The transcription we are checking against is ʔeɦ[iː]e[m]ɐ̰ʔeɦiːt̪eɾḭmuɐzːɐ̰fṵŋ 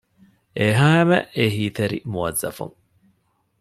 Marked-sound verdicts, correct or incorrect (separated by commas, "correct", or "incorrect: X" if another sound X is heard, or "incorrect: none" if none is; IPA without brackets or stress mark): incorrect: aː, correct